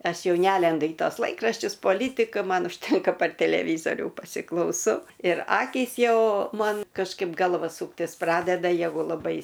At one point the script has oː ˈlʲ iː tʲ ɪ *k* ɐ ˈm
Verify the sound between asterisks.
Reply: correct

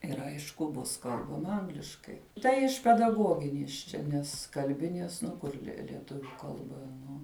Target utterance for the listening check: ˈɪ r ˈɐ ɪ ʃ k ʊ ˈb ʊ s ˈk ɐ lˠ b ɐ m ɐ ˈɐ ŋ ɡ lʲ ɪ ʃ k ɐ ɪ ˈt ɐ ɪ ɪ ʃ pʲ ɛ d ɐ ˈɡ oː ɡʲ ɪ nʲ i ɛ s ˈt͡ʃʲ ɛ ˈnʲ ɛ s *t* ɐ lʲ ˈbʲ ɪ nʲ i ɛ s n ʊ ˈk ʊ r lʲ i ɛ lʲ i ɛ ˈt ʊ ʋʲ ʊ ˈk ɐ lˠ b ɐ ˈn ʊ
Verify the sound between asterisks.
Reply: incorrect: k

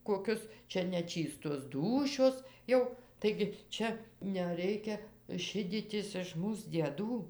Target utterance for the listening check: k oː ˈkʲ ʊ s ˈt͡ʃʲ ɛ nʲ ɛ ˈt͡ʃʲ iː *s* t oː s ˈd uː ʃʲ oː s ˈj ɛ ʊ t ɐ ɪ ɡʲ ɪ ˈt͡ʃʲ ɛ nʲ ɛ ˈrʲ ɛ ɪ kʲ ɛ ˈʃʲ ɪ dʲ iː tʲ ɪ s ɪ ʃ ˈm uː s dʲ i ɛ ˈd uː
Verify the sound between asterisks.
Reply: correct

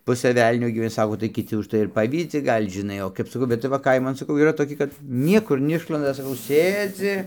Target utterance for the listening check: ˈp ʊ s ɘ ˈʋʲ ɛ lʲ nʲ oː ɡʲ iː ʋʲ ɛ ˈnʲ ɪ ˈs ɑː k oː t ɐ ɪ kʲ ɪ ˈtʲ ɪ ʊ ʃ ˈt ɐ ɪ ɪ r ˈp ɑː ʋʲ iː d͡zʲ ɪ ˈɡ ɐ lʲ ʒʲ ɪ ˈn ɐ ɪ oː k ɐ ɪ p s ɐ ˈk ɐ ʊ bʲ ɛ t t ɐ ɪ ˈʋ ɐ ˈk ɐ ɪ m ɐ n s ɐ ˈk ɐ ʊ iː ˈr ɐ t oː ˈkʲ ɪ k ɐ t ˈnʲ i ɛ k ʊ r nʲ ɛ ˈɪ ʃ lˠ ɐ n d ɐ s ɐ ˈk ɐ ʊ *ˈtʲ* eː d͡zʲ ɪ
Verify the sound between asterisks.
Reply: incorrect: sʲ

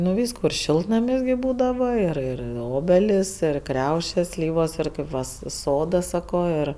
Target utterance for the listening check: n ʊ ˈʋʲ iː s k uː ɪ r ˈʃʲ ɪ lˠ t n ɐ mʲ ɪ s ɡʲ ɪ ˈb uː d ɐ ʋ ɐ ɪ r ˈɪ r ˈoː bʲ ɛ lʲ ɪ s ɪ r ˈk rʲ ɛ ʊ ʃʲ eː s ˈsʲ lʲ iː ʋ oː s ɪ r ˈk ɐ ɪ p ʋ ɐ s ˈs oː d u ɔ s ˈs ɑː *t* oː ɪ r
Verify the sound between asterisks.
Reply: incorrect: k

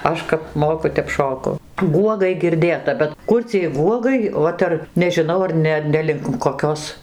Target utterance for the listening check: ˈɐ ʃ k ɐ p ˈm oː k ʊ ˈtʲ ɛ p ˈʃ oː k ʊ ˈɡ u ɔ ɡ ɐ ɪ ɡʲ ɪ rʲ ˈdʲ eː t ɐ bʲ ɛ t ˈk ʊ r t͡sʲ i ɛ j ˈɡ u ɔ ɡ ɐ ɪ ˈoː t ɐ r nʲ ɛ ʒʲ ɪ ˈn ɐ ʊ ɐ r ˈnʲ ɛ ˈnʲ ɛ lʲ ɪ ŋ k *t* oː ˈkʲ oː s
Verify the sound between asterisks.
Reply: incorrect: k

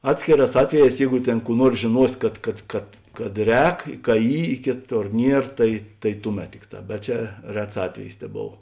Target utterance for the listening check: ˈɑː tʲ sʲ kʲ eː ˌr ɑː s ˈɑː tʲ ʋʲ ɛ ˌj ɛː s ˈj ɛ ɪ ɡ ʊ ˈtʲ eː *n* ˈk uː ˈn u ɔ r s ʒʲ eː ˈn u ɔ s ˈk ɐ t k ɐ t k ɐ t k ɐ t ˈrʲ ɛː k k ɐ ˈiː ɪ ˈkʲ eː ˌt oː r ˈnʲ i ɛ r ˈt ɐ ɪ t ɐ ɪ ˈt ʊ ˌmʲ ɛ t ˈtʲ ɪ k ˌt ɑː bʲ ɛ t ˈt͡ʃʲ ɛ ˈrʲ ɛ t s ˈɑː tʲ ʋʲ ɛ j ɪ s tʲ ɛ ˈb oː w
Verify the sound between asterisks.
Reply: correct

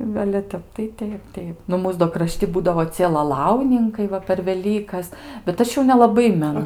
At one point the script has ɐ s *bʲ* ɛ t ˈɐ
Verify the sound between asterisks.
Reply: correct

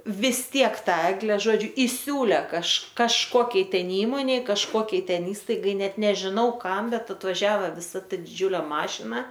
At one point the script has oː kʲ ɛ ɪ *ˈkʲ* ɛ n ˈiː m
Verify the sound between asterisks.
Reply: incorrect: tʲ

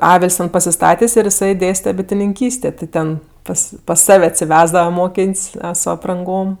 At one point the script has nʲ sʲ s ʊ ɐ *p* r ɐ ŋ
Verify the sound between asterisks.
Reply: correct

